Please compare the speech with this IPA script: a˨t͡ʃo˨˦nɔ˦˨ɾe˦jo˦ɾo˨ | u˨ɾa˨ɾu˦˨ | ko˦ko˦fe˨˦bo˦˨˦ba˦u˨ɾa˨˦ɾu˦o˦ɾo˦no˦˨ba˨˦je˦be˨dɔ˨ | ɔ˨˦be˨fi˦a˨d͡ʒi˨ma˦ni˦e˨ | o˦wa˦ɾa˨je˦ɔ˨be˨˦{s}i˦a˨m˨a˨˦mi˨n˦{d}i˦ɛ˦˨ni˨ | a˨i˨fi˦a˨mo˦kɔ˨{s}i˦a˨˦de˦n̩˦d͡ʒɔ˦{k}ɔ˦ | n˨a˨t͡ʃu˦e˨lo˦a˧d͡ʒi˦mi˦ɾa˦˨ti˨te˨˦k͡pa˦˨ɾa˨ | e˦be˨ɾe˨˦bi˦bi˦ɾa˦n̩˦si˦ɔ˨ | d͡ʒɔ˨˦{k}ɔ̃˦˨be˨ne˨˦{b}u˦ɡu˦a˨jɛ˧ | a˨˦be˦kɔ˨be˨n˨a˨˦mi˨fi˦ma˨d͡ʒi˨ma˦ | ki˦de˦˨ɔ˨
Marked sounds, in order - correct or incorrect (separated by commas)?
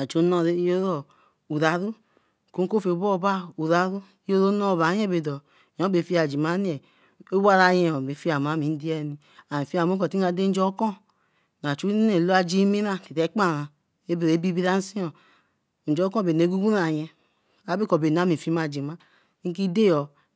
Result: incorrect, correct, incorrect, correct, correct, incorrect